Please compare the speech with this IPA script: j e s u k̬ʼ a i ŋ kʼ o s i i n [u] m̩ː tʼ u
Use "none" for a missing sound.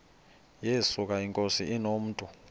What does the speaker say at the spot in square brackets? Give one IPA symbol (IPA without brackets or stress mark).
o